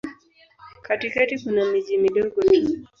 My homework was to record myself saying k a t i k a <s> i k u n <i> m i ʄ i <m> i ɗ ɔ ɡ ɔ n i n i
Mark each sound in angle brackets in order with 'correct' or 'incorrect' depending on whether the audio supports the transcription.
incorrect, incorrect, correct

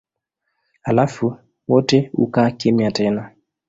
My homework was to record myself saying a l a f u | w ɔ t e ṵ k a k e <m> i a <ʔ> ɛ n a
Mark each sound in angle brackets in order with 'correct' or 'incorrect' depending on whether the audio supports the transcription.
correct, incorrect

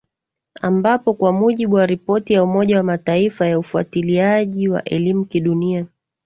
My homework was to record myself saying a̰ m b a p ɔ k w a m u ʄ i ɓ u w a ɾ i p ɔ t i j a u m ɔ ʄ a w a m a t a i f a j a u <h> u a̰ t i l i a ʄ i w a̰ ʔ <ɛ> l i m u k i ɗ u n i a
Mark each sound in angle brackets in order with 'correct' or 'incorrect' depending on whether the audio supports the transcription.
incorrect, correct

